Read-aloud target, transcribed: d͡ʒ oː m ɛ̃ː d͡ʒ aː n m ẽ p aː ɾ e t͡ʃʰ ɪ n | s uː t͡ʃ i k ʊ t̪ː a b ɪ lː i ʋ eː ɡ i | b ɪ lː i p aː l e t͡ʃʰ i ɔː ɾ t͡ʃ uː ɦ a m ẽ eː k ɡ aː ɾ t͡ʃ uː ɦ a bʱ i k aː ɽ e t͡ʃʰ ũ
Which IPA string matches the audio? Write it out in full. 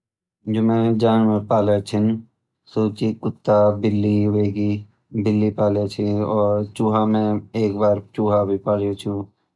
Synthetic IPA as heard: d͡ʒ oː m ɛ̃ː d͡ʒ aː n m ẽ p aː l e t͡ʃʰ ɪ n | s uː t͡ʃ i k ʊ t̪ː a b ɪ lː i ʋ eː ɡ i | b ɪ lː i p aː l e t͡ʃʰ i ɔː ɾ t͡ʃ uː ɦ a m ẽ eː k b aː ɾ t͡ʃ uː ɦ a bʱ i p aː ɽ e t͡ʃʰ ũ